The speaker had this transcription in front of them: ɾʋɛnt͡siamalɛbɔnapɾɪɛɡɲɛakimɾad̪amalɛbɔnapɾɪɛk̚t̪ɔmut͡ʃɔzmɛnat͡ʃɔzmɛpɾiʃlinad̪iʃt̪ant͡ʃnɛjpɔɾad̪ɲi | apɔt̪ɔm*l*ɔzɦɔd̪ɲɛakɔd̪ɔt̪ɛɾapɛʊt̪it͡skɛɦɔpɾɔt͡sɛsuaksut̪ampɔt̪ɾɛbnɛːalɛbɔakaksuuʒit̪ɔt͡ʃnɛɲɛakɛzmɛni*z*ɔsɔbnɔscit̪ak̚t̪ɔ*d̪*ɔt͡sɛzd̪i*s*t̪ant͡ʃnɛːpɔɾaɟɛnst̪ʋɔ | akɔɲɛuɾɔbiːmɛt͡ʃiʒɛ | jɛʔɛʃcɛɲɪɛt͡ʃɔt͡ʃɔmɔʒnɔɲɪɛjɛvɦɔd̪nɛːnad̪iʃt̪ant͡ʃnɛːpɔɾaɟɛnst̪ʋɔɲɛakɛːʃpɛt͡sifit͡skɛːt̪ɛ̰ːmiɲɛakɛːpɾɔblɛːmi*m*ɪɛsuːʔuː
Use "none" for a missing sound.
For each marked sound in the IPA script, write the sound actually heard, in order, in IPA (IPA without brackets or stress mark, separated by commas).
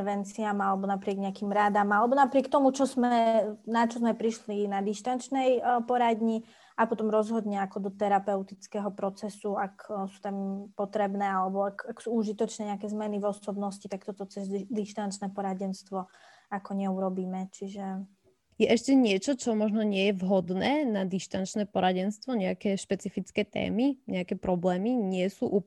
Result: ɾ, v, t̪, ʃ, ɲ